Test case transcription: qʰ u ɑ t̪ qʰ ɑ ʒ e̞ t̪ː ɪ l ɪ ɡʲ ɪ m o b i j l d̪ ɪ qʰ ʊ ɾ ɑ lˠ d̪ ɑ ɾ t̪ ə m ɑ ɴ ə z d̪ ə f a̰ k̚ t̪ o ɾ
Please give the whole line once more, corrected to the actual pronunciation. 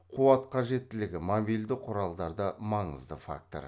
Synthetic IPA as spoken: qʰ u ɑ t̪ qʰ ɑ ʒ e̞ t̪ː ɪ l ɪ ɡʲ ɪ m o b i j l d̪ ɪ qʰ ʊ ɾ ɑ lˠ d̪ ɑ ɾ d̪ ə m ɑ ɴ ə z d̪ ə f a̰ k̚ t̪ o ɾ

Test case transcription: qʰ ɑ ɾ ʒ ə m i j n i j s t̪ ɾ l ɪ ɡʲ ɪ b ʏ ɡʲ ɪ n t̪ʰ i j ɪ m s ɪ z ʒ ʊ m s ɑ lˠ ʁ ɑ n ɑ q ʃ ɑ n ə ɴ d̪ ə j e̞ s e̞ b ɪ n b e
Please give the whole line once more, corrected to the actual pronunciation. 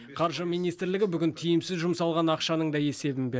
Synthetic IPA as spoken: qʰ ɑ ɾ ʒ ə m i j n i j s t̪ ɾ l ɪ ɡʲ ɪ b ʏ ɡʲ ɪ n t̪ʰ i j ɪ m s ɪ z ʒ ʊ m s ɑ lˠ ʁ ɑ n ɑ q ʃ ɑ n ə ɴ d̪ ɑ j e̞ s e̞ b ɪ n b e

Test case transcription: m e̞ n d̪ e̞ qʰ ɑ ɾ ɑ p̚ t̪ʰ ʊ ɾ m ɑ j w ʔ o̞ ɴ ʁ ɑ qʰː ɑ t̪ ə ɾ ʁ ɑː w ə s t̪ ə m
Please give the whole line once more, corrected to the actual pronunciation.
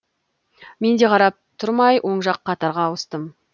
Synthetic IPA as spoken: m e̞ n d̪ e̞ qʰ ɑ ɾ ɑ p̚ t̪ʰ ʊ ɾ m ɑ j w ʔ o̞ ɴ ʒ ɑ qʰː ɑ t̪ ɑ ɾ ʁ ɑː w ə s t̪ ə m

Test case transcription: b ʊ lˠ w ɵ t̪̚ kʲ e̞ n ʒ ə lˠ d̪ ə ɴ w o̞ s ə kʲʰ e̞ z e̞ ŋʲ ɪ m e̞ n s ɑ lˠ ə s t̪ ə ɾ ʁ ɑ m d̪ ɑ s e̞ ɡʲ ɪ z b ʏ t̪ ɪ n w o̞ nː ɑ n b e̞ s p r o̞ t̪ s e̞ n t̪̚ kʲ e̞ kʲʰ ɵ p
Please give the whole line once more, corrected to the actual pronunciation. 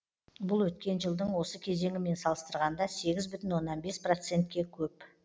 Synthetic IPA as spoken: b ʊ lˠ w ɵ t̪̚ kʲ e̞ n ʒ ə lˠ d̪ ə ɴ w o̞ s ə kʲʰ e̞ z e̞ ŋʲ ɪ m e̞ n s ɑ lˠ ə s t̪ ə ɾ ʁ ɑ n d̪ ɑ s e̞ ɡʲ ɪ z b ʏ t̪ ɪ n w o̞ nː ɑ n b e̞ s p r o̞ t̪ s e̞ n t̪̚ kʲ e̞ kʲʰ ɵ p

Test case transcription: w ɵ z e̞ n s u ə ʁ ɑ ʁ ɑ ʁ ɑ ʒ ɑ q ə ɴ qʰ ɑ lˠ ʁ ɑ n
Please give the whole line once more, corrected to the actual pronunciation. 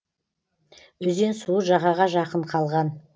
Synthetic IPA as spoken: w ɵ z e̞ n s u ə ʒ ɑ ʁ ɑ ʁ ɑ ʒ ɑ q ə ɴ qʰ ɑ lˠ ʁ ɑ n

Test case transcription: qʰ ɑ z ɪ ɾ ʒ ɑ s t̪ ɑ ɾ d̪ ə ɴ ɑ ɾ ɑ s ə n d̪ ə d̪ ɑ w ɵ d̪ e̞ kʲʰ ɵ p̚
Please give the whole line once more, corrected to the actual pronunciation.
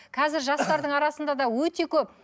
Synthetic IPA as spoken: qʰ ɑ z ɪ ɾ ʒ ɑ s t̪ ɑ ɾ d̪ ə ɴ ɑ ɾ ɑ s ə n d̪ ɑ d̪ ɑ w ɵ t̪ e̞ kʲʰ ɵ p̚

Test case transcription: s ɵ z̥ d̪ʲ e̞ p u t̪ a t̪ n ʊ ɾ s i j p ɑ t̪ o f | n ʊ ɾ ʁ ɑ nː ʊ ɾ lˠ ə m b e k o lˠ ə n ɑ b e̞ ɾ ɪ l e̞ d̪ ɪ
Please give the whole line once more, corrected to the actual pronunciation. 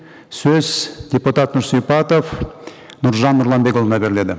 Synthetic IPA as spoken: s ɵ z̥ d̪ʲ e̞ p u t̪ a t̪ n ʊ ɾ s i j p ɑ t̪ o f | n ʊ ɾ ʒ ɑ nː ʊ ɾ lˠ ɑ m b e k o lˠ ə n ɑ b e̞ ɾ ɪ l e̞ d̪ ɪ

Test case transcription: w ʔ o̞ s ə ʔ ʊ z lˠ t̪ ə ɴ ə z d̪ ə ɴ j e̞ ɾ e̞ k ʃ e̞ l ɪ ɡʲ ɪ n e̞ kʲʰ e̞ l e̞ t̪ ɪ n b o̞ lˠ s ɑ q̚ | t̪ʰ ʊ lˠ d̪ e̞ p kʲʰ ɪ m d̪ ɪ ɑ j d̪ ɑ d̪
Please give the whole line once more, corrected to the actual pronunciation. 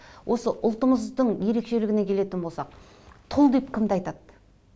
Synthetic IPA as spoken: w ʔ o̞ s ə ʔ ʊ lˠ t̪ ə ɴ ə z d̪ ə ɴ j e̞ ɾ e̞ k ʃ e̞ l ɪ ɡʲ ɪ n e̞ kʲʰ e̞ l e̞ t̪ ɪ n b o̞ lˠ s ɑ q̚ | t̪ʰ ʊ lˠ d̪ e̞ p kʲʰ ɪ m d̪ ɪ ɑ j t̪ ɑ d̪

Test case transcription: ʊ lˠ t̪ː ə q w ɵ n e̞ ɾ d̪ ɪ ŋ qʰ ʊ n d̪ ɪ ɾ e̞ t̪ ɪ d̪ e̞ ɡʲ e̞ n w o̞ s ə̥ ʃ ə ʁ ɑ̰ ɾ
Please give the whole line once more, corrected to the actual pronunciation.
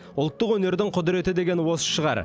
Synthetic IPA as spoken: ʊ lˠ t̪ː ə q w ɵ n e̞ ɾ d̪ ɪ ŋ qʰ ʊ d̪ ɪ ɾ e̞ t̪ ɪ d̪ e̞ ɡʲ e̞ n w o̞ s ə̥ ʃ ə ʁ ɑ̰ ɾ

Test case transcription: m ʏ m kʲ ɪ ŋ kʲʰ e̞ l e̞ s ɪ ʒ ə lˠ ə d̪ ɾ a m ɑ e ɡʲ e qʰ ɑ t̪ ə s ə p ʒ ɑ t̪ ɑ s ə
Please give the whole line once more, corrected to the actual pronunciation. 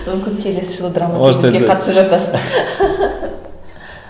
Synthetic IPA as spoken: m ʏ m kʲ ɪ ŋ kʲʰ e̞ l e̞ s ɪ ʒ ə lˠ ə d̪ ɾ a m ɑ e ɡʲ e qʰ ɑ t̪ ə s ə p ʒ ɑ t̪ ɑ s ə

